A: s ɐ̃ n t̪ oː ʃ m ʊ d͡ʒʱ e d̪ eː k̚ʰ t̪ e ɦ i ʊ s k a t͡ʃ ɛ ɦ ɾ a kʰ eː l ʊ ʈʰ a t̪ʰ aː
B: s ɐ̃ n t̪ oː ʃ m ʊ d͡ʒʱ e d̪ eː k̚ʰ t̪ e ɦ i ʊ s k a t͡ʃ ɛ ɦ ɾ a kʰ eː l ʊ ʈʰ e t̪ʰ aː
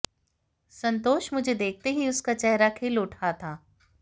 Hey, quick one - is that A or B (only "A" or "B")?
A